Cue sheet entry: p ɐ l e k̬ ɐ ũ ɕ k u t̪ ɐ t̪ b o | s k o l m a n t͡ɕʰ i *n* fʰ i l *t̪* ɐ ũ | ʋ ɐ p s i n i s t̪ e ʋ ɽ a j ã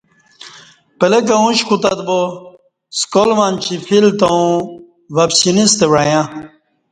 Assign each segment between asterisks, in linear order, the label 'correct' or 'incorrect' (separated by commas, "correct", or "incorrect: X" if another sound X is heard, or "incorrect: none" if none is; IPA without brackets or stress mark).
incorrect: none, correct